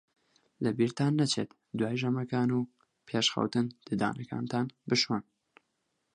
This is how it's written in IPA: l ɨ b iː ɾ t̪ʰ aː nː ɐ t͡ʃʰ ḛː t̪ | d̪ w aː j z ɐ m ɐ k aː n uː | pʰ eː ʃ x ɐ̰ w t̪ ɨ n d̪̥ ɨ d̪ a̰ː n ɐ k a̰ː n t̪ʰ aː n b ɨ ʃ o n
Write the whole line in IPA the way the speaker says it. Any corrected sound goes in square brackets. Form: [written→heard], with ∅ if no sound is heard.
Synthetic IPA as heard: l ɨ b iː ɾ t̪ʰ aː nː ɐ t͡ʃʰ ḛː t̪ | d̪ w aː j [z→ʒ] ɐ m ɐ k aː n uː | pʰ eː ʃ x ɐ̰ w t̪ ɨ n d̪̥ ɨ d̪ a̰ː n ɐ k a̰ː n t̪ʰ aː n b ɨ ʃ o n